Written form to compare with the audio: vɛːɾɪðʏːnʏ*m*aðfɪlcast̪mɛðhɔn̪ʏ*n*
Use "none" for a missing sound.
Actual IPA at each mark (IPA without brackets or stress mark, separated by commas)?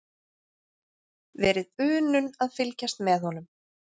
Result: n, m